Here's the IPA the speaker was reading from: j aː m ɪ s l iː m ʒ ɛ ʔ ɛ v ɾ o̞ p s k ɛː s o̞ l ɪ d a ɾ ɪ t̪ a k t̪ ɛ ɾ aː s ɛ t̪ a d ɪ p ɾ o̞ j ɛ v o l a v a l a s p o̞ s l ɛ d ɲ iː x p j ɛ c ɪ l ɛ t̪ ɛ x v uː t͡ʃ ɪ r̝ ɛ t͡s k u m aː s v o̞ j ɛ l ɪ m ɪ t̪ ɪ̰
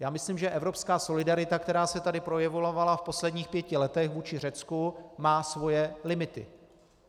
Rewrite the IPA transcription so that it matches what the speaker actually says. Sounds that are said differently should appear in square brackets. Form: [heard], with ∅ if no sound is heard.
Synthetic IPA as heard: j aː m ɪ s l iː m ʒ ɛ ʔ ɛ v ɾ o̞ p s k [aː] s o̞ l ɪ d a ɾ ɪ t̪ a k t̪ ɛ ɾ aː s ɛ t̪ a d ɪ p ɾ o̞ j ɛ v o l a v a l a [f] p o̞ s l ɛ d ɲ iː x p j ɛ c ɪ l ɛ t̪ ɛ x v uː t͡ʃ ɪ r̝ ɛ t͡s k u m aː s v o̞ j ɛ l ɪ m ɪ t̪ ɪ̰